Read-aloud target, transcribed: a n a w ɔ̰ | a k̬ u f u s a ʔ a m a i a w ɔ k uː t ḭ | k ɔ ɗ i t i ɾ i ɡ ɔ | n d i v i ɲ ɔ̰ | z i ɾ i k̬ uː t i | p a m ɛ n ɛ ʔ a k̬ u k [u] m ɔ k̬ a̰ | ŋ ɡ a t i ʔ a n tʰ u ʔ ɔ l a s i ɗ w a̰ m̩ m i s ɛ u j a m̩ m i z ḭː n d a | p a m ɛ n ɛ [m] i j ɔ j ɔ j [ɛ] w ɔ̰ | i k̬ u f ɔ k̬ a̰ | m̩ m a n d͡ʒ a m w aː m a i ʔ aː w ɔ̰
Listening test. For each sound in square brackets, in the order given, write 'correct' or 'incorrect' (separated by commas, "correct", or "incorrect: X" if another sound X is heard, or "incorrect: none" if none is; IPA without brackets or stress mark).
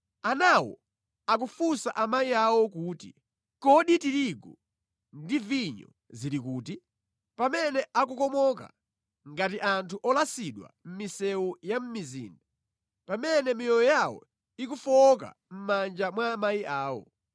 incorrect: ɔ, correct, incorrect: a